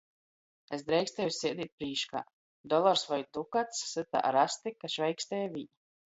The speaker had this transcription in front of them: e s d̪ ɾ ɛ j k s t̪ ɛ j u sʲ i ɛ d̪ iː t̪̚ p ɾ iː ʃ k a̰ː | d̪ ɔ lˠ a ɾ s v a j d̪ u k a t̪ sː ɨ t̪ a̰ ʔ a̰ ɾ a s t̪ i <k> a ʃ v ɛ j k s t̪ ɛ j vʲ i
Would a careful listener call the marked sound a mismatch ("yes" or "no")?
no